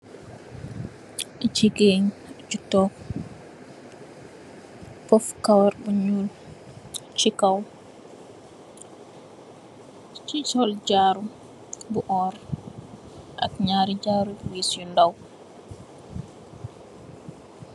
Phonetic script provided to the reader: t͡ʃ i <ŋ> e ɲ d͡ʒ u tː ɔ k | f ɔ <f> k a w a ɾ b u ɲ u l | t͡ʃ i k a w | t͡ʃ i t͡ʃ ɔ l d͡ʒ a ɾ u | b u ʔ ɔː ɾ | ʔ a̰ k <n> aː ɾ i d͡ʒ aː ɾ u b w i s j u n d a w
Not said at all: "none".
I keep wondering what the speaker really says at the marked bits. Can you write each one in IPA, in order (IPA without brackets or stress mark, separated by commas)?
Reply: ɡ, f, ɲ